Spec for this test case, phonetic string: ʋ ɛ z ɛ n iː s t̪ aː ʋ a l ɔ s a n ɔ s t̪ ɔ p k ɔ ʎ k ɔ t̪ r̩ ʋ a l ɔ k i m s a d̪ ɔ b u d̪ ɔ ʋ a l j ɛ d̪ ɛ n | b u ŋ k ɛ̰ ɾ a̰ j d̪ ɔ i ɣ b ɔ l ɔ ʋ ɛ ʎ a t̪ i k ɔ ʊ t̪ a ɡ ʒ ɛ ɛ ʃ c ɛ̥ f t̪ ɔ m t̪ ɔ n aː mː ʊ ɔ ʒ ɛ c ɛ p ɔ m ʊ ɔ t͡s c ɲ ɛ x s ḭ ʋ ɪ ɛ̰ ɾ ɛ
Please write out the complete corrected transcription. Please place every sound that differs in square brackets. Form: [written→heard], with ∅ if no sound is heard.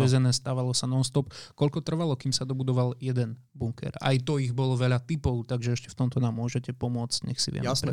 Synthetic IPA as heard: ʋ ɛ z ɛ n [iː→ɛː] s t̪ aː ʋ a l ɔ s a n ɔ s t̪ ɔ p k ɔ ʎ k ɔ t̪ r̩ ʋ a l ɔ k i m s a d̪ ɔ b u d̪ ɔ ʋ a l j ɛ d̪ ɛ n | b u ŋ k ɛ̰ ɾ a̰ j [d̪→t̪] ɔ i ɣ b ɔ l ɔ ʋ ɛ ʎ a t̪ i [k→p] ɔ ʊ t̪ a ɡ ʒ ɛ ɛ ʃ c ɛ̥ f t̪ ɔ m t̪ ɔ n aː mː ʊ ɔ ʒ ɛ c ɛ p ɔ m ʊ ɔ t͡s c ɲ ɛ x s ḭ ʋ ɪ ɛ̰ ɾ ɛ